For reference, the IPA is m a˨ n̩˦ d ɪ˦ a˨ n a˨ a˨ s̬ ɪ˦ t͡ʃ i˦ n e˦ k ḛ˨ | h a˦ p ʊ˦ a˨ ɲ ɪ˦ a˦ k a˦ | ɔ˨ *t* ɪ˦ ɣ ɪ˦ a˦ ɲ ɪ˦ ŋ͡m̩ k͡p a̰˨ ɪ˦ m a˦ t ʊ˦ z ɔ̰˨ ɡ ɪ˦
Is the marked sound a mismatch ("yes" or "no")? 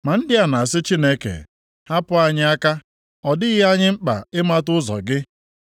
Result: yes